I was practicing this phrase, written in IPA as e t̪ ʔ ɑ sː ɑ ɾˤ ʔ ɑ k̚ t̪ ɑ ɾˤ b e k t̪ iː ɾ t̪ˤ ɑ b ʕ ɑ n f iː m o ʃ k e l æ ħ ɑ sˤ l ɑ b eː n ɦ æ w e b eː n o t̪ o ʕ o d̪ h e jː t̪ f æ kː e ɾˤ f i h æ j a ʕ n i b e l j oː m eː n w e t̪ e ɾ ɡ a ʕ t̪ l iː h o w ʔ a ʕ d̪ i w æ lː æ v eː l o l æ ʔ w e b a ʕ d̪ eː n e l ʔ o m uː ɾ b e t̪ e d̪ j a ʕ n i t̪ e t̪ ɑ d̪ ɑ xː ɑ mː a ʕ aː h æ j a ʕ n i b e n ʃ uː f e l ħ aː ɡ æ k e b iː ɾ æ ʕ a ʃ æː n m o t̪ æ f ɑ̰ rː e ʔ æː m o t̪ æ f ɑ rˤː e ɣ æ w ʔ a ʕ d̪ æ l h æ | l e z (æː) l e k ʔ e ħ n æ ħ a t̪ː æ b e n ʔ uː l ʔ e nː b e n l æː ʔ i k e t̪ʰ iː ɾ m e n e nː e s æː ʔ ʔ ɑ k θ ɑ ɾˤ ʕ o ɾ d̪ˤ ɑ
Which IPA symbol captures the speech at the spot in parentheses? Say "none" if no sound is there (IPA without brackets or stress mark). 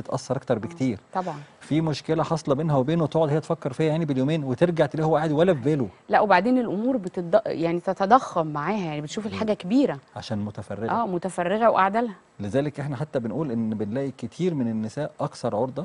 æː